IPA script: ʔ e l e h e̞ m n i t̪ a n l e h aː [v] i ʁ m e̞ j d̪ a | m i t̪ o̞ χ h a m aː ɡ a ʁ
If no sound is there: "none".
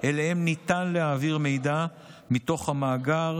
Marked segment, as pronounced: v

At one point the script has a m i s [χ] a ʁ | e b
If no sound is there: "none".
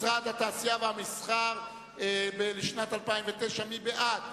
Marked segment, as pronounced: χ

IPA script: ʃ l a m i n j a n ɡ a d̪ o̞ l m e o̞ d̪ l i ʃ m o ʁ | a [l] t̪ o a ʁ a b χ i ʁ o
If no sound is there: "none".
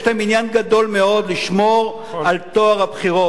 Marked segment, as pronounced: l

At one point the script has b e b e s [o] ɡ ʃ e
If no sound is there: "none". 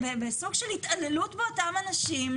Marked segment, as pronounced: u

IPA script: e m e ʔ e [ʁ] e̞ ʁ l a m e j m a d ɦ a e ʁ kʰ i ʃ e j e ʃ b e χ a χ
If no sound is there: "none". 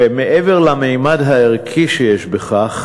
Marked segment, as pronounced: v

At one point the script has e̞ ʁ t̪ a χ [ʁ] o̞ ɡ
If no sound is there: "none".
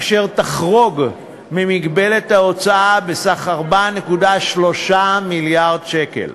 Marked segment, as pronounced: ʁ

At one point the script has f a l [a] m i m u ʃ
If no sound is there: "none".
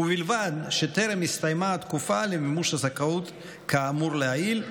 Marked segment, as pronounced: e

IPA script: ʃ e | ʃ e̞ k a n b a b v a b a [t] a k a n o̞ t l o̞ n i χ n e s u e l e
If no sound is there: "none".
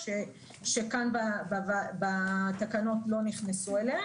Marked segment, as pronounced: t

